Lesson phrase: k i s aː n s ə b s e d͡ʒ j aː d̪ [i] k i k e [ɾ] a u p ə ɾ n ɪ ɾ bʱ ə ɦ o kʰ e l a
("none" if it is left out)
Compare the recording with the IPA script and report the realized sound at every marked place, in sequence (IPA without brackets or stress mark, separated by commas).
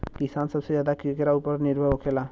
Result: a, ɾ